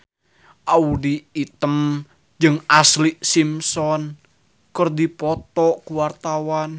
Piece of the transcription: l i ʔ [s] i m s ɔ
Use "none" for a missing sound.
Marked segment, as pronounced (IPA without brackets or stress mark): s